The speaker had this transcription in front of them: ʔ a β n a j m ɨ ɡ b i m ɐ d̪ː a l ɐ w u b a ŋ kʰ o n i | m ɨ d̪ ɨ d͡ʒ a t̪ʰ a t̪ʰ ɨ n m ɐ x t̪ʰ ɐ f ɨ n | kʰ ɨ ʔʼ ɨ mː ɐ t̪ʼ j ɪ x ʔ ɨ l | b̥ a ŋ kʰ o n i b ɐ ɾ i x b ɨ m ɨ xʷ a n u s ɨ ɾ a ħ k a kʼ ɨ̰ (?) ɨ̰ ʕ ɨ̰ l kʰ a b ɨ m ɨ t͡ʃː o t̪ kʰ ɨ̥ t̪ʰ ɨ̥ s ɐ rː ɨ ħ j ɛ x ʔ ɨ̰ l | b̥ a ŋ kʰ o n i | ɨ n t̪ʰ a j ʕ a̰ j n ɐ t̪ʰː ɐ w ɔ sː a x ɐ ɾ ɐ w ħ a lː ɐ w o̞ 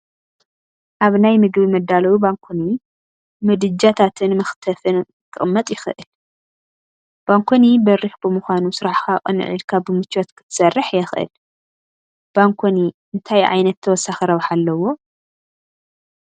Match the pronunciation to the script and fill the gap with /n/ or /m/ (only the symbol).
n